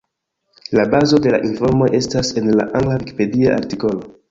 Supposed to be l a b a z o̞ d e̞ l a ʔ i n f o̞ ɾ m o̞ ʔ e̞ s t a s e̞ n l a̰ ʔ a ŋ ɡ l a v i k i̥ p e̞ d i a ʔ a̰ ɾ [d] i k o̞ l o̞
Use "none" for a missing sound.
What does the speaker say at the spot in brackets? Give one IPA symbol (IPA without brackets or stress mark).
t